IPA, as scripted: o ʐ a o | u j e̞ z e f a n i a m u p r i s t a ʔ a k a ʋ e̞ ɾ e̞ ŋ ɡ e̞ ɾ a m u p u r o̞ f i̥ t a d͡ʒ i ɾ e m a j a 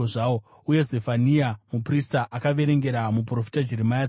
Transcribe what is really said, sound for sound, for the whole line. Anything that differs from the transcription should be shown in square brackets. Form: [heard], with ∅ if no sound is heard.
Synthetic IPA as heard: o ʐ a o | u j e̞ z e f a n i a m u p r i s t a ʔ a k a ʋ e̞ ɾ e̞ ŋ ɡ e̞ ɾ a m u p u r o̞ f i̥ t a d͡ʒ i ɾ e m a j a